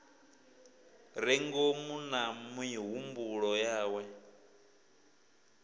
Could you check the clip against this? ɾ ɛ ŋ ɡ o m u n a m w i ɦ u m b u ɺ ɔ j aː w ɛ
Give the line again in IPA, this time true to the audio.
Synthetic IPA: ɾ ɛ ŋ ɡ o m u n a m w i ɦ u m b u ɺ ɔ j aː w ɛ